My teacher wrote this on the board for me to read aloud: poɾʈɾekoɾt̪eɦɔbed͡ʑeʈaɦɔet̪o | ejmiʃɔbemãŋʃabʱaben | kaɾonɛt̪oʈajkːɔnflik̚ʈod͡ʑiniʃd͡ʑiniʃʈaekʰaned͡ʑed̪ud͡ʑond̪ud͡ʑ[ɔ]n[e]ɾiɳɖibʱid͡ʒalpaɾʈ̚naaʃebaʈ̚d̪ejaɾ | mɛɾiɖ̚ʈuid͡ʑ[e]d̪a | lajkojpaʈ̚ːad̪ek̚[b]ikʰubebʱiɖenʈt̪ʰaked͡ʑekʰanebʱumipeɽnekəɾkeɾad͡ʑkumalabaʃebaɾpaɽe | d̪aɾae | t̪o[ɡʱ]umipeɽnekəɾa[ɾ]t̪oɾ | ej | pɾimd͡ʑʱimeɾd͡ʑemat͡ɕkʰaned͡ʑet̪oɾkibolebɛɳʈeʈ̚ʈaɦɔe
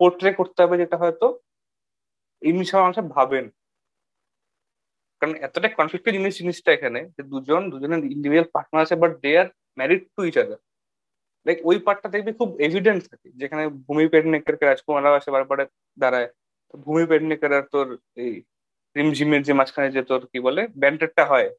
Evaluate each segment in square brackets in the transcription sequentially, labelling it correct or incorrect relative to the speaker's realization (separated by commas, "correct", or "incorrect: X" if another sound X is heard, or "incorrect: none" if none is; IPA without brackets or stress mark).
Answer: incorrect: o, correct, incorrect: a, correct, incorrect: bʱ, correct